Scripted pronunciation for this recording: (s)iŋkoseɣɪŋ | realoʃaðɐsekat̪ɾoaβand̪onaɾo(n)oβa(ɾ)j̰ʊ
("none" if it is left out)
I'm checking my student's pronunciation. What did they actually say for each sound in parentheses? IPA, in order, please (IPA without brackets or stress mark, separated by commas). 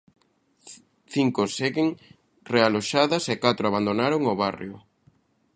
θ, ŋ, r